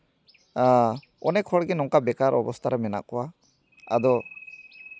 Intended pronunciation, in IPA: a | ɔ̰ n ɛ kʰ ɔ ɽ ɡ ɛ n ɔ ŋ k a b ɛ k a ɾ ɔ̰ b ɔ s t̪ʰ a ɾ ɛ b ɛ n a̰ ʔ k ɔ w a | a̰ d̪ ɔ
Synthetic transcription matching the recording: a | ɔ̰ n ɛ kʰ ɔ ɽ ɡ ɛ n ɔ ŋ k a b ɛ k a ɾ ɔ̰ b ɔ s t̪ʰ a ɾ ɛ m ɛ n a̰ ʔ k ɔ w a | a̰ d̪ ɔ